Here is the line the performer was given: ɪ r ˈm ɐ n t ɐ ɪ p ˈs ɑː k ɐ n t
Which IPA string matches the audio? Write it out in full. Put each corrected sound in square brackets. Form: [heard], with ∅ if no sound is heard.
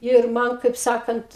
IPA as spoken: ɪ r ˈm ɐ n [k] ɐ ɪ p ˈs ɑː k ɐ n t